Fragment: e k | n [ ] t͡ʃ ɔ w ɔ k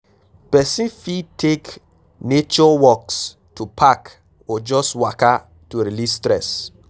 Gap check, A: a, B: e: B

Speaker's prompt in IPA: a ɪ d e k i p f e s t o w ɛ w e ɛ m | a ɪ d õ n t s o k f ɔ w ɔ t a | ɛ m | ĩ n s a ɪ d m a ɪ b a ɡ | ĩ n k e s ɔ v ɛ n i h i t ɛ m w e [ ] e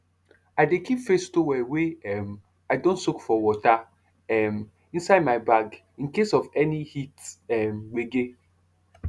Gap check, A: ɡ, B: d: A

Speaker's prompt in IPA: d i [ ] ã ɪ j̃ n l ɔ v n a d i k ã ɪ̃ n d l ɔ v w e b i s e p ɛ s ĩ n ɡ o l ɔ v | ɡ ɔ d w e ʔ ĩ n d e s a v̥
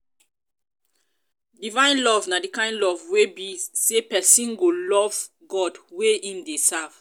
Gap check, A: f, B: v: B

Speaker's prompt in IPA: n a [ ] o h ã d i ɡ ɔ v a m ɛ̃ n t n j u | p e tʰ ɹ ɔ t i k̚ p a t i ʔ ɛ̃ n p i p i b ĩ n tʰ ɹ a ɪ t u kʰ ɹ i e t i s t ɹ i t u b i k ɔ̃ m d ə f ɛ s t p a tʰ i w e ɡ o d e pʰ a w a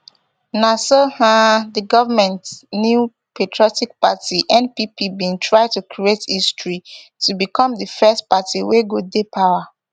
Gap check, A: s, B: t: A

